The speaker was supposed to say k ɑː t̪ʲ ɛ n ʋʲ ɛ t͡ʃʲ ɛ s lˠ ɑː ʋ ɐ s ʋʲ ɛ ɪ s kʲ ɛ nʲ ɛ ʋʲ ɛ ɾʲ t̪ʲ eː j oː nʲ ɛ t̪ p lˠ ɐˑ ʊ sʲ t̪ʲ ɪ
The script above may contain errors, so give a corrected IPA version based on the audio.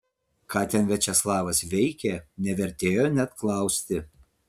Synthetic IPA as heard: k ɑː t̪ʲ ɛ n ʋʲ ɛ t͡ʃʲ ɛ s lˠ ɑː ʋ ɐ s ʋʲ ɛ ɪ kʲ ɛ nʲ ɛ ʋʲ ɛ ɾʲ t̪ʲ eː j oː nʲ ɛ t̪ k lˠ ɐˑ ʊ sʲ t̪ʲ ɪ